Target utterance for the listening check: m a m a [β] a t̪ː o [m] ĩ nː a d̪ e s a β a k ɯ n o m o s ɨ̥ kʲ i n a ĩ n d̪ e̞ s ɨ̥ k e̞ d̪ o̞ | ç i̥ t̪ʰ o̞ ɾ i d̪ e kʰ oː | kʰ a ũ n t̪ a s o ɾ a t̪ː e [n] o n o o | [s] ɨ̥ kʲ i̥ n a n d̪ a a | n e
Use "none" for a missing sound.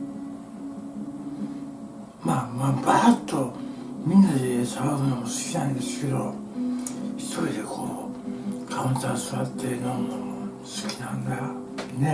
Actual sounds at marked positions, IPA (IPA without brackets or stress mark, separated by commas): b, m, n, s